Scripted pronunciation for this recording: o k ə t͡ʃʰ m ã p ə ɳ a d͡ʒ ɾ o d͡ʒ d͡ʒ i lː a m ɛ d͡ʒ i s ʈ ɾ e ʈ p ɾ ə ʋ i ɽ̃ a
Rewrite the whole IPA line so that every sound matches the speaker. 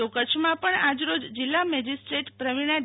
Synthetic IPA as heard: o k ə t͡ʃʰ m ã p ə ɳ a d͡ʒ ɾ o d͡ʒ d͡ʒ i lː a m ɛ d͡ʒ i s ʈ ɾ e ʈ p ɾ ə ʋ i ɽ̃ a

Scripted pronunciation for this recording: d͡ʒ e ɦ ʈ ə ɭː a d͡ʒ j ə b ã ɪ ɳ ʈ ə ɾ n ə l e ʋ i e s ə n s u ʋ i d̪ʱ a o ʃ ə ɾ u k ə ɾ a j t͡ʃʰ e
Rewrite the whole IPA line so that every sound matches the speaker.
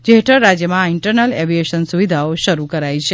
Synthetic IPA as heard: d͡ʒ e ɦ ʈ ə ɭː a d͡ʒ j ə m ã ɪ ɳ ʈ ə ɾ n ə l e ʋ i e ʃ ə n s u ʋ i d̪ʱ a o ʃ ə ɾ u k ə ɾ a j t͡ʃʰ e

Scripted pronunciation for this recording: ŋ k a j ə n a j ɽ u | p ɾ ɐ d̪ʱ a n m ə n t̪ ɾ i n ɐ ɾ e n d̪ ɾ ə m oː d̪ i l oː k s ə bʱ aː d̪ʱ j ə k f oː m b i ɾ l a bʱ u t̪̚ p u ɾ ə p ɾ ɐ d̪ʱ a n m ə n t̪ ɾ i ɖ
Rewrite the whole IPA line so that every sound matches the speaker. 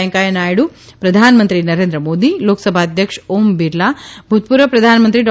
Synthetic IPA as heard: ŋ k a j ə n a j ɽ u | p ɾ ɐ d̪ʱ a n m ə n t̪ ɾ i n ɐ ɾ e n d̪ ɾ ə m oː d̪ i l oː k s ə bʱ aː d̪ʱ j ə k ʂ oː m b i ɾ l a bʱ u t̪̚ p u ɾ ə p ɾ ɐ d̪ʱ a n m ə n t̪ ɾ i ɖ

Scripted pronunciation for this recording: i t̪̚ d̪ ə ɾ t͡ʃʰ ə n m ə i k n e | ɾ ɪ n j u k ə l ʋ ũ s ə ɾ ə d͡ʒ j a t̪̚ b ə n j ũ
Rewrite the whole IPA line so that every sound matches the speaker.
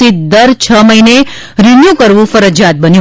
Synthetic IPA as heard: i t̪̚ d̪ ə ɾ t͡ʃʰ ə m ə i n e | ɾ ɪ n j u k ə ɾ ʋ ũ f ə ɾ ə d͡ʒ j a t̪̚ b ə n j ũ

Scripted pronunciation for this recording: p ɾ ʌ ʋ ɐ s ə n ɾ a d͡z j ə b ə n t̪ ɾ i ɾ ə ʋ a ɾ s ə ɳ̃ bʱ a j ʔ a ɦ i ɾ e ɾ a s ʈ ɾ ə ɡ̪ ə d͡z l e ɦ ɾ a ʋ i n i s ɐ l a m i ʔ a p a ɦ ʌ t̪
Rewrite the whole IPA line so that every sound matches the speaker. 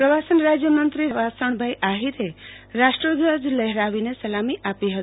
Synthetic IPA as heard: p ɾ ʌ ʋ a s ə n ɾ a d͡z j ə m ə n t̪ ɾ i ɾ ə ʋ a s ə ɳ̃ bʱ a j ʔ a ɦ i ɾ e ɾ a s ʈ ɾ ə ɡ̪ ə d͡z l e ɦ ɾ a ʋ i n e s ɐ l a m i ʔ a p i ɦ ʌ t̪

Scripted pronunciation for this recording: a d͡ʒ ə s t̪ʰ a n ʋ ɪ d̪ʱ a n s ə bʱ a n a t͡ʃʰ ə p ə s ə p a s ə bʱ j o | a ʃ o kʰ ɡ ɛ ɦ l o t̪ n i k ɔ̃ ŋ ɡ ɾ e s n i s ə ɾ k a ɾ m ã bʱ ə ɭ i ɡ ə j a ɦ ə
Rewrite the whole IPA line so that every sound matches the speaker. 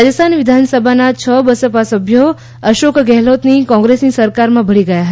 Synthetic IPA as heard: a d͡ʒ ə s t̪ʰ a n ʋ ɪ d̪ʱ a n s ə bʱ a n a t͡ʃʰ ə b ə s ə p a s ə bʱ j o | ə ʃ o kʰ ɡ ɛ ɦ l o t̪ n i k ɔ̃ ŋ ɡ ɾ e s n i s ə ɾ k a ɾ m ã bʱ ə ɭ i ɡ ə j a ɦ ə

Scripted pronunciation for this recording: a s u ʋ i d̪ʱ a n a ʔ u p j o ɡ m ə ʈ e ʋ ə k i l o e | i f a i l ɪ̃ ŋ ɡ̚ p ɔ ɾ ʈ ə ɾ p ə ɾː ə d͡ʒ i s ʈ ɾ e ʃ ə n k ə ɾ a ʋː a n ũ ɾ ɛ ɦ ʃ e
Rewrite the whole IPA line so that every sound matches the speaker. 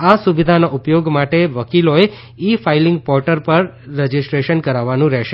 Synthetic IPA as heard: a s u ʋ i d̪ʱ a n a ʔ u p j o ɡ m a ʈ e ʋ ə k i l o e | i f a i l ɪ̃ ŋ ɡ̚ p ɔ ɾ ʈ ə ɾ p ə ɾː ə d͡ʒ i s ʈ ɾ e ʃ ə n k ə ɾ a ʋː a n ũ ɾ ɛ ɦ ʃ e

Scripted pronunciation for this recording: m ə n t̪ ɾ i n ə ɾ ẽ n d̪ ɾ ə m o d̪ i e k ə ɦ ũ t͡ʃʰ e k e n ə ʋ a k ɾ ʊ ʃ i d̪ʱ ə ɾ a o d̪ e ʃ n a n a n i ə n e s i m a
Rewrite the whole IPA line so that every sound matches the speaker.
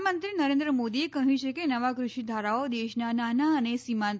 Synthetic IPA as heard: m ə n t̪ ɾ i n ə ɾ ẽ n d̪ ɾ ə m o d̪ i e k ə ɦ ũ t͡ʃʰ e k e n ə ʋ a k ɾ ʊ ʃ i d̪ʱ a ɾ a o d̪ e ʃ n a n a n a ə n e s i m a

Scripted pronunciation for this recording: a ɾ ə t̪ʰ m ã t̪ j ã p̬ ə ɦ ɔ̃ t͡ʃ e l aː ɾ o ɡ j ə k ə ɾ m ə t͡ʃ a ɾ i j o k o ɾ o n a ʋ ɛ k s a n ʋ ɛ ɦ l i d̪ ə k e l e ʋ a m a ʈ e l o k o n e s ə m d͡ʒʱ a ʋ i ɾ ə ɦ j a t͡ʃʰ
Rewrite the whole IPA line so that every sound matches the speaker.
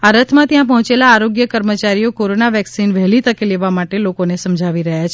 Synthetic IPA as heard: a ɾ ə t̪ʰ m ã t̪ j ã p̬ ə ɦ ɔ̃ t͡ʃ e l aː ɾ o ɡ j ə k ə ɾ m ə t͡ʃ a ɾ i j o k o ɾ o n a ʋ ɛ k s i n ʋ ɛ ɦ l i t̪ ə k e l e ʋ a m a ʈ e l o k o n e s ə m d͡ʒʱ a ʋ i ɾ ə ɦ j a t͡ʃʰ

